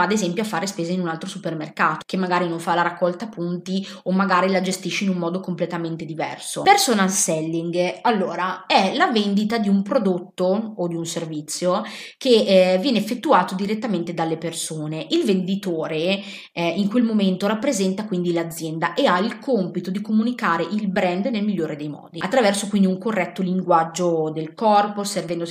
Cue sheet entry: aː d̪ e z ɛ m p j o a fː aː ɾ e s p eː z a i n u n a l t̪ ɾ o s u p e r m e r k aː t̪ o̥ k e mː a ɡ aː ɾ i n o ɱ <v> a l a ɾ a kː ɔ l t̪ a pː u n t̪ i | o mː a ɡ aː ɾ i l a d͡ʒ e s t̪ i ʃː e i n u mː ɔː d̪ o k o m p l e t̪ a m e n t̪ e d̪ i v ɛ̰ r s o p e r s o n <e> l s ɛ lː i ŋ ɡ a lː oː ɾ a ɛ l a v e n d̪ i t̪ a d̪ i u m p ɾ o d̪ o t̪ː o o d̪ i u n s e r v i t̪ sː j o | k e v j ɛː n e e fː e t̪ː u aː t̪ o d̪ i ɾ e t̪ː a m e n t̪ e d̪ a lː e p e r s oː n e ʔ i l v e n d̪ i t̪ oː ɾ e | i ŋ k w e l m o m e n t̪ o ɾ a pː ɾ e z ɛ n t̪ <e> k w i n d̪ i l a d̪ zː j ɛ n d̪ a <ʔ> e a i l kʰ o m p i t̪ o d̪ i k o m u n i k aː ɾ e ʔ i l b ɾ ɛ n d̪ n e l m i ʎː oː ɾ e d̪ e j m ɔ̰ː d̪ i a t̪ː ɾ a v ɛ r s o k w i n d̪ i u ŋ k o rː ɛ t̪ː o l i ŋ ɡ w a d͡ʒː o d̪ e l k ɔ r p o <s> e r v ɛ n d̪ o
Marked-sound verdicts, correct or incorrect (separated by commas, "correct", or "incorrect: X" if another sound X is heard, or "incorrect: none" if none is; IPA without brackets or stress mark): incorrect: f, incorrect: a, incorrect: a, correct, correct